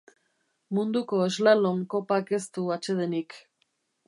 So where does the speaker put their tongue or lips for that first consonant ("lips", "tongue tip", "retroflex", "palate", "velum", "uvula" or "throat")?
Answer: lips